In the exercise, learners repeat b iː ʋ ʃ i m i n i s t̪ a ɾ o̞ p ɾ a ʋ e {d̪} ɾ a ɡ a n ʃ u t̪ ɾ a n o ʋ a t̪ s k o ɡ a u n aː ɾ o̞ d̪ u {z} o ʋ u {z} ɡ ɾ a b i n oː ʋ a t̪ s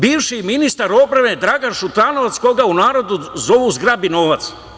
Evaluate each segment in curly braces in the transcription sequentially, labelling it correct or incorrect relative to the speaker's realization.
correct, correct, correct

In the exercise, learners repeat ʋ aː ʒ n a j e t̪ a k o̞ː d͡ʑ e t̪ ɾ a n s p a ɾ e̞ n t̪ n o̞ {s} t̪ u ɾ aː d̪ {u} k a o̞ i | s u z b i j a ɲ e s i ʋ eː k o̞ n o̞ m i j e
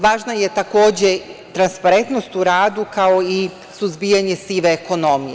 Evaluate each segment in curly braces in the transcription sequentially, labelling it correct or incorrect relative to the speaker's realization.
correct, correct

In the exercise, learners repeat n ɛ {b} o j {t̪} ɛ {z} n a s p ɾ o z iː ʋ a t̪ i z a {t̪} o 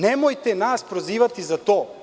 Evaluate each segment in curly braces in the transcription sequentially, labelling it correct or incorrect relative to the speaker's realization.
incorrect, correct, incorrect, correct

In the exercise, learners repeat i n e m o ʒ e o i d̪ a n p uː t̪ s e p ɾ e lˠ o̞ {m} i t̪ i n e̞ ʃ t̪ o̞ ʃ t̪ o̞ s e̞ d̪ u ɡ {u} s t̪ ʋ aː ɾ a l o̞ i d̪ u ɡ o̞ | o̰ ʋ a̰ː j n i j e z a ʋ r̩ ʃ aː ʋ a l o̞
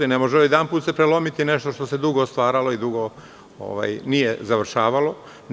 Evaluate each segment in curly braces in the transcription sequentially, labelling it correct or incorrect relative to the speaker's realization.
correct, incorrect

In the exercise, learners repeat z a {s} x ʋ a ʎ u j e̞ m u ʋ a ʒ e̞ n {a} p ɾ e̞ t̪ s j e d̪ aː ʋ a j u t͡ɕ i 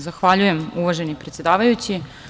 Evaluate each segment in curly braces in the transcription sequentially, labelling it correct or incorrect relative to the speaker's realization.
incorrect, incorrect

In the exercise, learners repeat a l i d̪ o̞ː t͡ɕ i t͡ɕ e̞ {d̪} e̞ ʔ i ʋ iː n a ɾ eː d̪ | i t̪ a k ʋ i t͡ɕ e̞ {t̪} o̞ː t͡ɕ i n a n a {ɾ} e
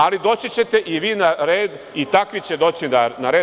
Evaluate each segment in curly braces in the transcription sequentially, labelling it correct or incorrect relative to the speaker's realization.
incorrect, incorrect, correct

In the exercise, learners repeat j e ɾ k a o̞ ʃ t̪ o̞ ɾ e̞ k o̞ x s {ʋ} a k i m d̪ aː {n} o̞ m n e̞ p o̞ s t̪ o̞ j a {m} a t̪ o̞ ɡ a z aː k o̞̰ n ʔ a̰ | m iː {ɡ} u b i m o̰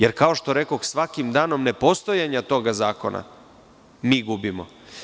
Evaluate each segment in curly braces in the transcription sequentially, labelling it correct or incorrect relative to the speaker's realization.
correct, correct, incorrect, correct

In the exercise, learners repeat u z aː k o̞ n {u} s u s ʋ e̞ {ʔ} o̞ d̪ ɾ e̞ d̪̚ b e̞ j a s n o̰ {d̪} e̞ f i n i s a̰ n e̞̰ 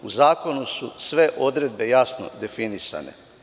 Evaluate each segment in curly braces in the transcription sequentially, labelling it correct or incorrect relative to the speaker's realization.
correct, correct, correct

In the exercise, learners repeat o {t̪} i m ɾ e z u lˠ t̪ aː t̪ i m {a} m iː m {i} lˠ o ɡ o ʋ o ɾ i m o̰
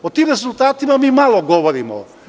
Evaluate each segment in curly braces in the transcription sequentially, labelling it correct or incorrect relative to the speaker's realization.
correct, correct, incorrect

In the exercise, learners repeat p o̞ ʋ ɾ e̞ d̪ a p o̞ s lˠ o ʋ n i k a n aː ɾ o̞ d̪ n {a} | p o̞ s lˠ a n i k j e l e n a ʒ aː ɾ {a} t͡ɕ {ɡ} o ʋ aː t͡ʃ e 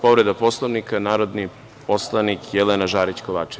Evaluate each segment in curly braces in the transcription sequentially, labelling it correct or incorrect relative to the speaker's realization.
incorrect, incorrect, incorrect

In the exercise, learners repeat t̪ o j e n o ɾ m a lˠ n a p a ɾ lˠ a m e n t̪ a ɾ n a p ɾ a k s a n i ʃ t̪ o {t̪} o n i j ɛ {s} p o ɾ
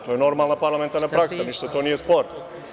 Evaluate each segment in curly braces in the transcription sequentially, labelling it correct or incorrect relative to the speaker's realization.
correct, correct

